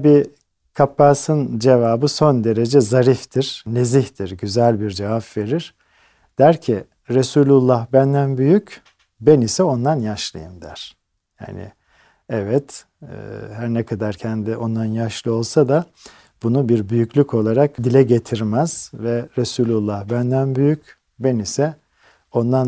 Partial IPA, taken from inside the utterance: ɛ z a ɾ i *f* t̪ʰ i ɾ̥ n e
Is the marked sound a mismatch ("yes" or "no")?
no